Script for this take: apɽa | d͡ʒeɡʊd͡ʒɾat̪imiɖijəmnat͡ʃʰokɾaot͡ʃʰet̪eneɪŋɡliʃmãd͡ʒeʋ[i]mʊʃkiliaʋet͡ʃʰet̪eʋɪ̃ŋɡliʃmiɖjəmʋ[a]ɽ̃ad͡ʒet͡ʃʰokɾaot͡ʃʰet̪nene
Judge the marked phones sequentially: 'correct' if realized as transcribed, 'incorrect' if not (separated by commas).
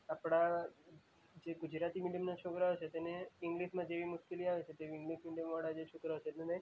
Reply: correct, correct